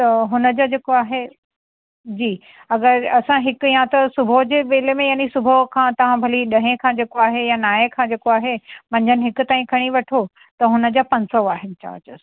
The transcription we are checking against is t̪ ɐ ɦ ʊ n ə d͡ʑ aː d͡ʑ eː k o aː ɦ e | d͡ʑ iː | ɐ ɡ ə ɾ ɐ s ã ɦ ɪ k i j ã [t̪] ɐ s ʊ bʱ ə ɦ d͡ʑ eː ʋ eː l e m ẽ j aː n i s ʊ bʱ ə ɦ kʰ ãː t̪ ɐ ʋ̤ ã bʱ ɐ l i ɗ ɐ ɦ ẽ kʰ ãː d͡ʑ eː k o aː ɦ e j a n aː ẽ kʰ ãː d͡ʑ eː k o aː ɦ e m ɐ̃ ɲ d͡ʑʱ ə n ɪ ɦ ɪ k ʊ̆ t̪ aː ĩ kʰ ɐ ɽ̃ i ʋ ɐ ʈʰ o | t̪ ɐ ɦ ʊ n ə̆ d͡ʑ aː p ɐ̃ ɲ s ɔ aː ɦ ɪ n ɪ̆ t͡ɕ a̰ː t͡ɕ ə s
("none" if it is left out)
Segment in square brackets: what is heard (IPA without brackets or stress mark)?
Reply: t̪